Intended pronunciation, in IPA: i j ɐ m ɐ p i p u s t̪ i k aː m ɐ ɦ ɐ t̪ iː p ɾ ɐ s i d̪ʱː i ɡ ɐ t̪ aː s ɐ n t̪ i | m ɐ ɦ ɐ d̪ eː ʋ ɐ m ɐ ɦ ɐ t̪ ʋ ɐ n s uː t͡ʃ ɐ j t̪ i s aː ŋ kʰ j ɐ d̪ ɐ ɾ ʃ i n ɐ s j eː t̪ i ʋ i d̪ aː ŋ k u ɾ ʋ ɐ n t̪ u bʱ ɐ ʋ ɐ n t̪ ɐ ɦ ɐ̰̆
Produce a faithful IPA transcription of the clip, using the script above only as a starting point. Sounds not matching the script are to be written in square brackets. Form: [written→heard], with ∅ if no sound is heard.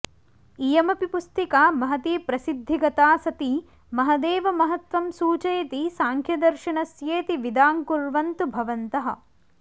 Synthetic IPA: i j ɐ m ɐ p i p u s t̪ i k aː m ɐ ɦ ɐ t̪ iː p ɾ ɐ s i d̪ʱː i ɡ ɐ t̪ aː s ɐ [n→∅] t̪ i | m ɐ ɦ ɐ d̪ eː ʋ ɐ m ɐ ɦ ɐ t̪ ʋ ɐ [n→m] s uː t͡ʃ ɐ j t̪ i s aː ŋ kʰ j ɐ d̪ ɐ ɾ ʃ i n ɐ s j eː t̪ i ʋ i d̪ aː ŋ k u ɾ ʋ ɐ n t̪ u bʱ ɐ ʋ ɐ n t̪ ɐ ɦ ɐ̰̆